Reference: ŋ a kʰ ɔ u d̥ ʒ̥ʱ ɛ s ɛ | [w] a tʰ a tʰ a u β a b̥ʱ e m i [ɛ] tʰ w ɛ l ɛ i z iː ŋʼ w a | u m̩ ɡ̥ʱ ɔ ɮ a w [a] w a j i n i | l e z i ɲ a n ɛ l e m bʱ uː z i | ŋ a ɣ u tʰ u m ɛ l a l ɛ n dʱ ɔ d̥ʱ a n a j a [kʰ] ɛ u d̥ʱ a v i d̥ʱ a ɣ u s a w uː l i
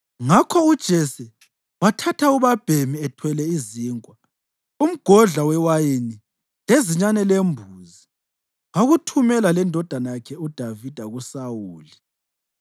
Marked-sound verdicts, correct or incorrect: correct, correct, incorrect, correct

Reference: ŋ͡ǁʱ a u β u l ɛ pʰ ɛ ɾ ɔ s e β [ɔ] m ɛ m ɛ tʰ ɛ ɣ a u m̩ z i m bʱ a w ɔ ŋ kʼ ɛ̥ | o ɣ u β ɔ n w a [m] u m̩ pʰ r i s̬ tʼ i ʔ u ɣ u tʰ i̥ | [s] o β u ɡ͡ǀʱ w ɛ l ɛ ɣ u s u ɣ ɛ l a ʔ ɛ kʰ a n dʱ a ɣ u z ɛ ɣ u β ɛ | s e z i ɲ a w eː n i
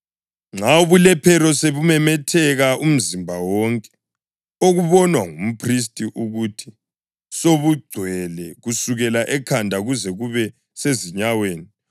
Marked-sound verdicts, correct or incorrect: incorrect, incorrect, correct

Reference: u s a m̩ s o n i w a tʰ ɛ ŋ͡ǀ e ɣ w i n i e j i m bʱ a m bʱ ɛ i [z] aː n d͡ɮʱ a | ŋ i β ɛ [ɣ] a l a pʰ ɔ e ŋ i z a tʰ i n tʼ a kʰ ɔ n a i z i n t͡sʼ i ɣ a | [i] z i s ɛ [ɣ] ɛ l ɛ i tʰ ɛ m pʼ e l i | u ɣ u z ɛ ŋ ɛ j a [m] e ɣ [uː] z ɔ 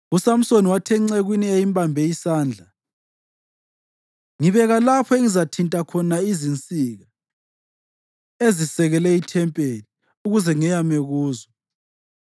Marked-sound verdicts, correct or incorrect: incorrect, correct, incorrect, correct, correct, correct

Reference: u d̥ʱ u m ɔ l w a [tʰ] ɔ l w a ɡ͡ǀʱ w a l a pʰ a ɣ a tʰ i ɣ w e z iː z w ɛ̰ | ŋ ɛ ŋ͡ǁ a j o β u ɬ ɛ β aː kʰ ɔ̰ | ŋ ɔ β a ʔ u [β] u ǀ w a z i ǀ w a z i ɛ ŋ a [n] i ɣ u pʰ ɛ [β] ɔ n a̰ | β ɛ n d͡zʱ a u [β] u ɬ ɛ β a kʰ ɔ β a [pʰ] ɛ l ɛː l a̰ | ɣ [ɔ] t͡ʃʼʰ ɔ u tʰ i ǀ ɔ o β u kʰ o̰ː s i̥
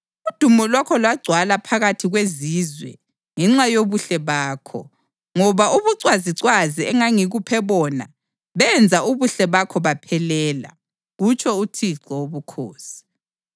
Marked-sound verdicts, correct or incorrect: incorrect, correct, incorrect, correct, correct, correct, incorrect

